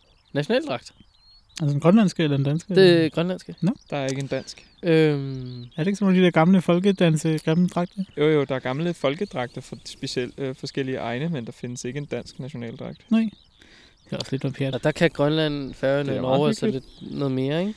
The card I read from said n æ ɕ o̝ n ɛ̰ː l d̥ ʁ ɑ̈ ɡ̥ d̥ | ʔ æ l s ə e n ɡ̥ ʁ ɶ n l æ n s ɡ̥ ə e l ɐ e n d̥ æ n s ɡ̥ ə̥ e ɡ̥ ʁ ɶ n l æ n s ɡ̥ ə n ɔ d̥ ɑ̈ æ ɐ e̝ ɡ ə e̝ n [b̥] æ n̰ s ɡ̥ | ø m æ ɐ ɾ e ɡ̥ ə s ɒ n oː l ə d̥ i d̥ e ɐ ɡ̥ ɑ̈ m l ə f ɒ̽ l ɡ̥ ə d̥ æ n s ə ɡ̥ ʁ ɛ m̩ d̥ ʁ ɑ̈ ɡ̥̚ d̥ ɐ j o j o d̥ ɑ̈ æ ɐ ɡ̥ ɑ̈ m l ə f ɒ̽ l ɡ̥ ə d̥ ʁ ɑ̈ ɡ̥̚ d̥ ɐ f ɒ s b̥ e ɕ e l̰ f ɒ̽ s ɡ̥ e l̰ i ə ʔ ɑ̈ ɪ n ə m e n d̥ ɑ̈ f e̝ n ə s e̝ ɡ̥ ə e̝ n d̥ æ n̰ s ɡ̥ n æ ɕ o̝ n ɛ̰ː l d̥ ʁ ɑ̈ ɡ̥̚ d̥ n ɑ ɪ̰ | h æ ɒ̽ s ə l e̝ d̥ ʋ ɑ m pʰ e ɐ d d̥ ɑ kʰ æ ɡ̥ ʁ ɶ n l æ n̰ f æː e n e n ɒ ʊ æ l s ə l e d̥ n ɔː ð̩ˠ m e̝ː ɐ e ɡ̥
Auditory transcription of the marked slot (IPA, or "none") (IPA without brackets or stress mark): d̥